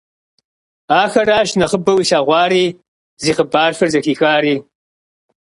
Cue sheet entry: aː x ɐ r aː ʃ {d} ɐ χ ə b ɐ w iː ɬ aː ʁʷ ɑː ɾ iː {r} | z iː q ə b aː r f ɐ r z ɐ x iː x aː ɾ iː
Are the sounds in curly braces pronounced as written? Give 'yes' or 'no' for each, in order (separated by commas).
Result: no, no